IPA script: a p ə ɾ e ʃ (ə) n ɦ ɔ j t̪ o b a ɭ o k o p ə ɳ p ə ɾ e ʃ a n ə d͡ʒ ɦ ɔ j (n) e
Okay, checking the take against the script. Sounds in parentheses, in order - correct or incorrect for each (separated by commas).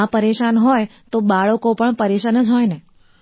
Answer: incorrect, correct